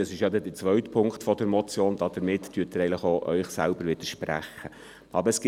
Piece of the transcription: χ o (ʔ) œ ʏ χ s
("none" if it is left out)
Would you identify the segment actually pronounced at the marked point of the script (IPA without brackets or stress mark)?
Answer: ʔ